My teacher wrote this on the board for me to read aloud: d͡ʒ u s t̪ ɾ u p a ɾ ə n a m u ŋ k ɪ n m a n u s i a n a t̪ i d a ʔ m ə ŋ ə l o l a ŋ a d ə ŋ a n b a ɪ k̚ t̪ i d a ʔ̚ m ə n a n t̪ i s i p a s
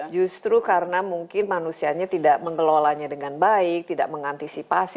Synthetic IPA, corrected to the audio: d͡ʒ u s t̪ ɾ u k a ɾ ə n a m u ŋ k ɪ n m a n u s i a ɲ a t̪ i d a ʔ m ə ŋ ə l o l a ɲ a d ə ŋ a n b a ɪ k̚ t̪ i d a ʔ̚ m ə ŋ a n t̪ i s i p a s